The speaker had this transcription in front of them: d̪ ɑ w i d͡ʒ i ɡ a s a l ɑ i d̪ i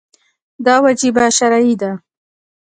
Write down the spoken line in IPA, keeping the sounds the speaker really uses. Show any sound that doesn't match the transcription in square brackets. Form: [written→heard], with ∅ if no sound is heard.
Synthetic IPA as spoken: d̪ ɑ w [i→a] d͡ʒ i [ɡ→b] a [s→ʃ] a [l→ɾ] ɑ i d̪ [i→a]